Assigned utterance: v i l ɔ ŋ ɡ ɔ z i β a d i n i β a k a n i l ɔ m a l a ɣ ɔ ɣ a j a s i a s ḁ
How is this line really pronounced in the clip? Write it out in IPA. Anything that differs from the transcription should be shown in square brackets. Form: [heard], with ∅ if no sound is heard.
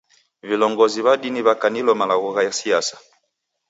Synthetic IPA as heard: v i l ɔ ŋ ɡ ɔ z i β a d i n i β a k a n i l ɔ m a l a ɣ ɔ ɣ a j a s i a s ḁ

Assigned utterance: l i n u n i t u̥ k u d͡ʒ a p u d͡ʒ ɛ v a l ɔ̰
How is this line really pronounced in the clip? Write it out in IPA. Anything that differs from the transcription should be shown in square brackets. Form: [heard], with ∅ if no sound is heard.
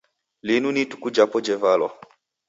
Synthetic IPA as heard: l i n u n i t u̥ k u d͡ʒ a p [ɔ] d͡ʒ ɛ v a l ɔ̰

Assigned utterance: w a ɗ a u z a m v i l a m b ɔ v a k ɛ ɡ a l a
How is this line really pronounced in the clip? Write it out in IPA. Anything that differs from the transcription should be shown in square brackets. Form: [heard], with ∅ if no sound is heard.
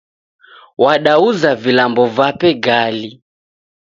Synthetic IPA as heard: w a ɗ a u z a [∅] v i l a m b ɔ v a [p] ɛ ɡ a l [i]

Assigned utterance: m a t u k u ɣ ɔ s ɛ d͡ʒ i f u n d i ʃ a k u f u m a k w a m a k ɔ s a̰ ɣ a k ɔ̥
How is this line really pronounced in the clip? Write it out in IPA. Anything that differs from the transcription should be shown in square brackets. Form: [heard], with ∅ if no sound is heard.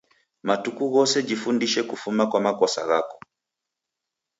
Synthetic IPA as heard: m a t u k u ɣ ɔ s ɛ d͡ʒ i f u n d i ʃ [ɛ] k u f u m a k w a m a k ɔ s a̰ ɣ a k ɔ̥

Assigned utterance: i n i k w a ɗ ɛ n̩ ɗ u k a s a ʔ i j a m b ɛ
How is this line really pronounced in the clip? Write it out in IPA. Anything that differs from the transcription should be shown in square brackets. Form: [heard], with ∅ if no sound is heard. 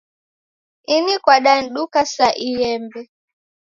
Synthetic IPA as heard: i n i k w a ɗ [a] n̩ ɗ u k a s a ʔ i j [ɛ] m b ɛ

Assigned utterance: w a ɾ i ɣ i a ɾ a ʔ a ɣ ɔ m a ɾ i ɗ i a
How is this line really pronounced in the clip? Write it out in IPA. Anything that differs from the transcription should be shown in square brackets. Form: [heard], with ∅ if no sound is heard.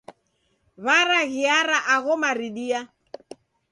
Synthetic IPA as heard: [β] a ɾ [a] ɣ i a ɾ a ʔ a ɣ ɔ m a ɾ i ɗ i a

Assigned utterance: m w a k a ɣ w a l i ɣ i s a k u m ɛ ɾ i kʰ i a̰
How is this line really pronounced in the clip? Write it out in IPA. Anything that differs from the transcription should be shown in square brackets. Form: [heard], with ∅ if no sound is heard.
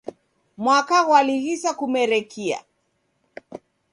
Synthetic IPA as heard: m w a k a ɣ w a l i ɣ i s a k u m ɛ ɾ [ɛ] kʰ i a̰

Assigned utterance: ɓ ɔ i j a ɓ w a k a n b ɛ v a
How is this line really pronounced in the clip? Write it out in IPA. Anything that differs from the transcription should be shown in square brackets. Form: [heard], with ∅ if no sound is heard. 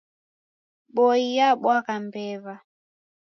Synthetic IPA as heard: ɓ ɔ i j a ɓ w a k a [m] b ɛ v a

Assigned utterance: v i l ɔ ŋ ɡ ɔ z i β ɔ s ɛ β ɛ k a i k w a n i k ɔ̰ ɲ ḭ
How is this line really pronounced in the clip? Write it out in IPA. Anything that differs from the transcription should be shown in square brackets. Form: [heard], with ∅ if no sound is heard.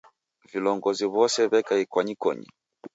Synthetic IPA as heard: v i l ɔ ŋ ɡ ɔ z i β ɔ s ɛ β ɛ k a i k w a [ɲ] i k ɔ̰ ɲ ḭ

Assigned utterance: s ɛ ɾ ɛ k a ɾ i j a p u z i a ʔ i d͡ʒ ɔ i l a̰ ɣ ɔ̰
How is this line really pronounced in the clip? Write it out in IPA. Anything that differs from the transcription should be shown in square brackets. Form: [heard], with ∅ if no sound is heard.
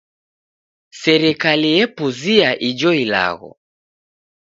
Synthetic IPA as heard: s ɛ ɾ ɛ k a [l] i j [ɛ] p u z i a ʔ i d͡ʒ ɔ i l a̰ ɣ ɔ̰

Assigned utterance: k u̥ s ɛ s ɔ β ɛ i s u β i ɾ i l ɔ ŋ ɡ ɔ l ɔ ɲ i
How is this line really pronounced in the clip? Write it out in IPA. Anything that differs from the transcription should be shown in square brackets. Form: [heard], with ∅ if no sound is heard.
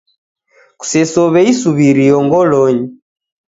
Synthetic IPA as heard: k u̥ s ɛ s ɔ β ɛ i s u β i ɾ i [∅] ɔ ŋ ɡ ɔ l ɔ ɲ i

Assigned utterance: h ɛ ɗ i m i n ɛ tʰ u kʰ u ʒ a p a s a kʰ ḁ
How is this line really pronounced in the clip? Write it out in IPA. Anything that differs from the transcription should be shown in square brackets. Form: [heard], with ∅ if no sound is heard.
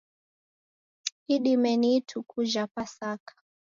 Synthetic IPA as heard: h [i] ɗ i m [ɛ] n [i] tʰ u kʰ u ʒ a p a s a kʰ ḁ

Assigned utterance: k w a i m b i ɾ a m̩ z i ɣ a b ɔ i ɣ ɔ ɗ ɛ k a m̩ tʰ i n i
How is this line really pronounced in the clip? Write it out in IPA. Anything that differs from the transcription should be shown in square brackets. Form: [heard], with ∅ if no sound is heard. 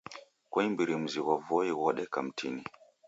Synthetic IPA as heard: k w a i m b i ɾ [i] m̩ z i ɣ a [v] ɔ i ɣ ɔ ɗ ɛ k a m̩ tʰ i n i

